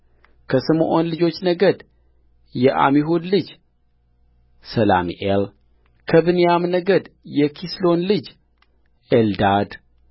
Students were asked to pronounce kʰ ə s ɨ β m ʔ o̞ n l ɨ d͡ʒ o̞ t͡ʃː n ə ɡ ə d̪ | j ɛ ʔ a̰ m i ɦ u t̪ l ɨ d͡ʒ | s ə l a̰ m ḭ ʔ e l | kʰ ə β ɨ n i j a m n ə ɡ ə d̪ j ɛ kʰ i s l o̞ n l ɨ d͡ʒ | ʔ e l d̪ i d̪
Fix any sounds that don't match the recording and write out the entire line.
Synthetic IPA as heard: kʰ ə s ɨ m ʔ o̞ n l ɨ d͡ʒ o̞ t͡ʃː n ə ɡ ə d̪ | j ɛ ʔ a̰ m i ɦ u d̪ l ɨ d͡ʒ | s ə l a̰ m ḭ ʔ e l | kʰ ə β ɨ n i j a m n ə ɡ ə d̪ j ɛ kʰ i s l o̞ n l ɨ d͡ʒ | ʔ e l d̪ a d̪